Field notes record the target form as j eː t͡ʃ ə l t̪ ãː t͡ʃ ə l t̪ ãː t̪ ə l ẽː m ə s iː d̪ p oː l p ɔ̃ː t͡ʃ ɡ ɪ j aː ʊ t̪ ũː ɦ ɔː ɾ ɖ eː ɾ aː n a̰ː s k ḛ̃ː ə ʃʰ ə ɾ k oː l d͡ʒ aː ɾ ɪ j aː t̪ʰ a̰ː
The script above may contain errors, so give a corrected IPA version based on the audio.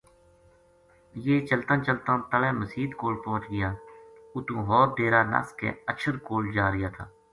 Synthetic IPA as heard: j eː t͡ʃ ə l t̪ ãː t͡ʃ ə l t̪ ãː t̪ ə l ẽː m ə s iː d̪ k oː l p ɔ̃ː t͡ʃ ɡ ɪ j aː ʊ t̪ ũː ɦ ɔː ɾ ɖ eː ɾ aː n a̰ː s k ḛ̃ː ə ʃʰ ə ɾ k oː l d͡ʒ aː ɾ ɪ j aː t̪ʰ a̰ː